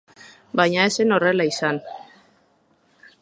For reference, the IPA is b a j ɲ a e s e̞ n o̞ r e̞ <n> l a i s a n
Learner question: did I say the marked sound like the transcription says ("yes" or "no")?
no